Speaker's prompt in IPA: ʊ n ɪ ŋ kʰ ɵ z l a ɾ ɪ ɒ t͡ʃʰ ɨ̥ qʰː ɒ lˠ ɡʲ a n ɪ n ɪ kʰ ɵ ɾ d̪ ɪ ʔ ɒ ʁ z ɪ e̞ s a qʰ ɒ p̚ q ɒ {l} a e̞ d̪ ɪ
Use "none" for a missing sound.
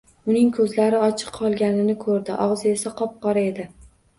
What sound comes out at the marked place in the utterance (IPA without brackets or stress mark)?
ɾ